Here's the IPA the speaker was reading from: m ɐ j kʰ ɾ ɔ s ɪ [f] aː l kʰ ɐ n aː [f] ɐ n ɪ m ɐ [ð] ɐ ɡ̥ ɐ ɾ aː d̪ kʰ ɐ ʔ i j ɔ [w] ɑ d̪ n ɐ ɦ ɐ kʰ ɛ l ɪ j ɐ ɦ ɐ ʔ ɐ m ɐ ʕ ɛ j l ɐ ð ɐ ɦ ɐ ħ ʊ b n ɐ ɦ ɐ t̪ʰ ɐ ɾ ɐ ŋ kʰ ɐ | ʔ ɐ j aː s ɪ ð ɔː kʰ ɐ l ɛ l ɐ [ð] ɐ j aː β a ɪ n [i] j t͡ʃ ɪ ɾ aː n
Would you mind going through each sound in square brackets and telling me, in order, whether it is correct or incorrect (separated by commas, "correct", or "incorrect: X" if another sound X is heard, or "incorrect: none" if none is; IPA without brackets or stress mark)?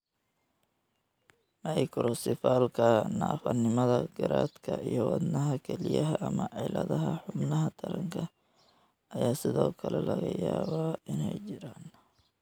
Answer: correct, correct, correct, correct, incorrect: ɣ, incorrect: ɛ